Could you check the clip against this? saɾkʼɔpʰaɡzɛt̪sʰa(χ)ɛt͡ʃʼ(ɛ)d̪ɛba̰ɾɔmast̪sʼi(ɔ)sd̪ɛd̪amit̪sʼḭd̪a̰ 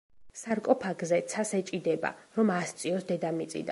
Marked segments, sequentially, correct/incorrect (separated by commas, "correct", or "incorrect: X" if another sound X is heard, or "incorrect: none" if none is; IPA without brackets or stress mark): incorrect: s, incorrect: i, correct